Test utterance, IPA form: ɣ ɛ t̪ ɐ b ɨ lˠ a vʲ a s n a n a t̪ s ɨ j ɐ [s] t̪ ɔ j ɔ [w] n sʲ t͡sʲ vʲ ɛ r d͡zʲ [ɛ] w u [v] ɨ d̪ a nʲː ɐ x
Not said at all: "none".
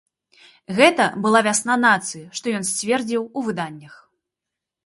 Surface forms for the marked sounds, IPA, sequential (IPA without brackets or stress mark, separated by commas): ʂ, none, i, v